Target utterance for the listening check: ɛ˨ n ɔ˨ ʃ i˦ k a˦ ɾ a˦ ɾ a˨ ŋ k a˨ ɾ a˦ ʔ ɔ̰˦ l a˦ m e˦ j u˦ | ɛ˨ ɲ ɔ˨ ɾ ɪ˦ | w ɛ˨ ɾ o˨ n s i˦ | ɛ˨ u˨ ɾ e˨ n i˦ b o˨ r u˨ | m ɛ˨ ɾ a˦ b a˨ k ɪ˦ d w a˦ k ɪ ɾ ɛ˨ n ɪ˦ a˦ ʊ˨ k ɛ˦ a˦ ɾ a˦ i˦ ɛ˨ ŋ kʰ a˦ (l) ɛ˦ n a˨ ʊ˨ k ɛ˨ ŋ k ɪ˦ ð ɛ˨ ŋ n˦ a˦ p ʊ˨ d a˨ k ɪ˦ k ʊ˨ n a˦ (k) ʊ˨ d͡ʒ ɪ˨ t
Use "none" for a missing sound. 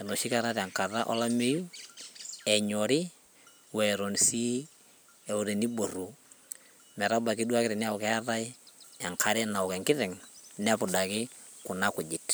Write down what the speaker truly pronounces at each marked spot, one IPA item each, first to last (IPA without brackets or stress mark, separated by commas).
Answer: ɾ, k